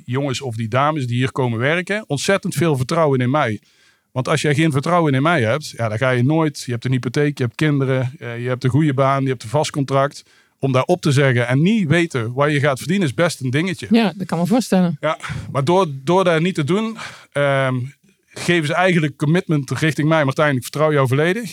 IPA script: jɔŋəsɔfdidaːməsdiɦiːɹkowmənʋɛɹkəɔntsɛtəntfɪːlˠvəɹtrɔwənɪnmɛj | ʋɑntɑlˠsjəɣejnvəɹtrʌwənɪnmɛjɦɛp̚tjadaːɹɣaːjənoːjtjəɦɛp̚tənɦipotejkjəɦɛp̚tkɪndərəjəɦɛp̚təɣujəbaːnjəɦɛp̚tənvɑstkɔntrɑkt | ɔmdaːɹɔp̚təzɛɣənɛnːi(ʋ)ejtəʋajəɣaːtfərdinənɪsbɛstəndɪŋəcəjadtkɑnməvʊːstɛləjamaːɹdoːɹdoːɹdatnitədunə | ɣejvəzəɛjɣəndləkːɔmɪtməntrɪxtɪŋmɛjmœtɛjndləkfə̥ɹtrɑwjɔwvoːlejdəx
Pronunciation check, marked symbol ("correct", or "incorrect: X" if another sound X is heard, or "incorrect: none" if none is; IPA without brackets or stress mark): correct